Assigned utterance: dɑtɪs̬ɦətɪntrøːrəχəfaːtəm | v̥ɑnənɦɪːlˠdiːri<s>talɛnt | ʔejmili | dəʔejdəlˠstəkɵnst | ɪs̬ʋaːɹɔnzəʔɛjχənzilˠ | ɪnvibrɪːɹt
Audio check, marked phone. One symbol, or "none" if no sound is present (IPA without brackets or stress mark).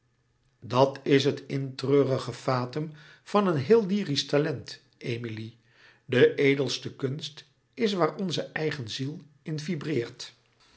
s